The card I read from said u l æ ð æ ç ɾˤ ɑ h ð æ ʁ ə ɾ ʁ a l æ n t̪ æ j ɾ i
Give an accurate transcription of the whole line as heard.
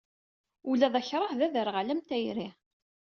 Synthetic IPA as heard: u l æ ð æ ç ɾˤ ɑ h ð æ ð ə ɾ ʁ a l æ m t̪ æ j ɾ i